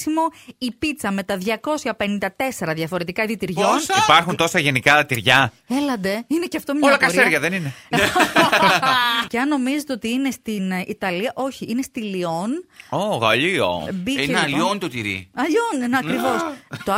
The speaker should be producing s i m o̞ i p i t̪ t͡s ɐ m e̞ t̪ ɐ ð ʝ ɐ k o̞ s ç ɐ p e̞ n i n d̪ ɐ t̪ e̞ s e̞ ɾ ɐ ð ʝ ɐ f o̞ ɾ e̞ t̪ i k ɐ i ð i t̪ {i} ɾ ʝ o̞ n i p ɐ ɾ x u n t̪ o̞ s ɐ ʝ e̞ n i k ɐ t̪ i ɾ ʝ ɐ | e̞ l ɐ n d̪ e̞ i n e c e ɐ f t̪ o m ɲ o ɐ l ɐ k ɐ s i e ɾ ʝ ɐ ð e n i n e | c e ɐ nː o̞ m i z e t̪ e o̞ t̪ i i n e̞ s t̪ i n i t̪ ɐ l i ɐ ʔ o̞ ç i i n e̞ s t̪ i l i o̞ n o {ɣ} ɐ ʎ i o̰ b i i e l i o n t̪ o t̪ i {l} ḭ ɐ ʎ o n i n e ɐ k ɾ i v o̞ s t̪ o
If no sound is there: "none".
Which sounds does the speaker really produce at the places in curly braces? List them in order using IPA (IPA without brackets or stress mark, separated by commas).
i, ɣ, ɾ